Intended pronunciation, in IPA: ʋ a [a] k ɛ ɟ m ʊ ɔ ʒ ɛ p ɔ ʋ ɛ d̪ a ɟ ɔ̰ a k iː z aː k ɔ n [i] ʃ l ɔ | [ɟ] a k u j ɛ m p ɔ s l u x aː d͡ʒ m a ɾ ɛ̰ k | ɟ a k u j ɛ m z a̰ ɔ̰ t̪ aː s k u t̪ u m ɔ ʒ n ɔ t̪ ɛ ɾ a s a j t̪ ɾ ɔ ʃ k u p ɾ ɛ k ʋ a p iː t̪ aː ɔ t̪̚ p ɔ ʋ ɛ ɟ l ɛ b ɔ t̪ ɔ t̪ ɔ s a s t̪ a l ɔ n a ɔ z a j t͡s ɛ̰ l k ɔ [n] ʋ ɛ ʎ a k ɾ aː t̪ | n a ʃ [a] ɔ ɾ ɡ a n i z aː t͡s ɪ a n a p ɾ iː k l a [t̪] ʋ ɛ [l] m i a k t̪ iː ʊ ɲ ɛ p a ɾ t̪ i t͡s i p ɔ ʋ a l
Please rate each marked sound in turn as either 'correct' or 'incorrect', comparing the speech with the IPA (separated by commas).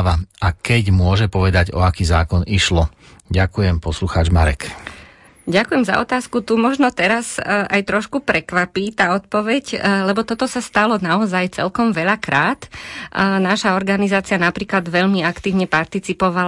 correct, correct, correct, incorrect, correct, incorrect, incorrect